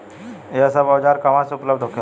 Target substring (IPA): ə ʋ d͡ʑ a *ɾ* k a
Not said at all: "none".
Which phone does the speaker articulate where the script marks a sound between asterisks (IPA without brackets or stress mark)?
ɾ